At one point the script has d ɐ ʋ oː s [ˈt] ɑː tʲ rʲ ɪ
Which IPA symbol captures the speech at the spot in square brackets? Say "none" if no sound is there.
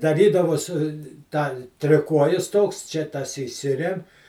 t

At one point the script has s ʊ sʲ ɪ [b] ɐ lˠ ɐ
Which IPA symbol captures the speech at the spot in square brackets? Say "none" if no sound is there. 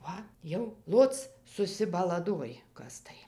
b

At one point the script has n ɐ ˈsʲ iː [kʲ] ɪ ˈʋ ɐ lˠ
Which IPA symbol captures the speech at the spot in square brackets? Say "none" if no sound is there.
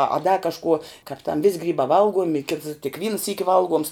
kʲ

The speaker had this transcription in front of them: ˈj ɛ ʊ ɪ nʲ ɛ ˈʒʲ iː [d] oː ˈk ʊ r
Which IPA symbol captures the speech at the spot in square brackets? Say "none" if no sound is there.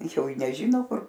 n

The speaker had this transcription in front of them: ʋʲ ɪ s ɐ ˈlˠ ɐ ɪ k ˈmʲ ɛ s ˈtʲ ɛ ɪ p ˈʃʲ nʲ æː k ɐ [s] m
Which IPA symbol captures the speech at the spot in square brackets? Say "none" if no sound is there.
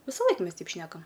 none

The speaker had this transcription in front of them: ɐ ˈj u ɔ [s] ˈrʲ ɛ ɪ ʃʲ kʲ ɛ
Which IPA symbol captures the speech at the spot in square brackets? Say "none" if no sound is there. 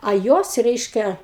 s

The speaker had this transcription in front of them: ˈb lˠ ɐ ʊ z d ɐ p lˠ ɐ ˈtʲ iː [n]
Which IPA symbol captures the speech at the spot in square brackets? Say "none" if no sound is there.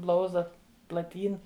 n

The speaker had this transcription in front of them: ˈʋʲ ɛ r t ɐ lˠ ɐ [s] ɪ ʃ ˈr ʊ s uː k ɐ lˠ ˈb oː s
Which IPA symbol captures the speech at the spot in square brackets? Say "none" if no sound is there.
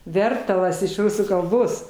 s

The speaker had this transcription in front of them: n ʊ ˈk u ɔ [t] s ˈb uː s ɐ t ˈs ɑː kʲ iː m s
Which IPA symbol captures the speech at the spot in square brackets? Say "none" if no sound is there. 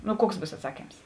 k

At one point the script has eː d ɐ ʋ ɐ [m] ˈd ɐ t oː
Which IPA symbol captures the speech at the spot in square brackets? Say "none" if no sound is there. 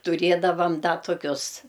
m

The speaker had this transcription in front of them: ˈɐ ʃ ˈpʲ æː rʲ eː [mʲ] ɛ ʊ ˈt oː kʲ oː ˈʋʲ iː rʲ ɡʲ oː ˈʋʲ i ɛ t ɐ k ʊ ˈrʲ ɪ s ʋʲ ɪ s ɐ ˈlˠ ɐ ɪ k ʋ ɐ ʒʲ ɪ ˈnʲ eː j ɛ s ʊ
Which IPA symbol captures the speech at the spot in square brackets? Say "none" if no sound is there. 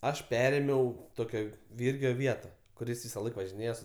mʲ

